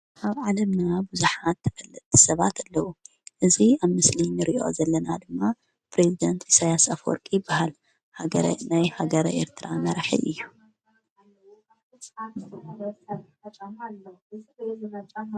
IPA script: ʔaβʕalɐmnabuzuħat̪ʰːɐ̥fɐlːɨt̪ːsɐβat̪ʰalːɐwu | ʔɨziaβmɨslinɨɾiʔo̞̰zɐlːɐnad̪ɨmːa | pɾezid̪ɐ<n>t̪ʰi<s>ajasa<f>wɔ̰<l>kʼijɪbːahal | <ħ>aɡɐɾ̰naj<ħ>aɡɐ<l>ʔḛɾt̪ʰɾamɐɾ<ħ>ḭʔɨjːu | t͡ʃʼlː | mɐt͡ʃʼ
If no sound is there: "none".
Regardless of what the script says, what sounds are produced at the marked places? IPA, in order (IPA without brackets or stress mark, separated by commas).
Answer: n, s, f, ɾ, h, h, ɾ, ħ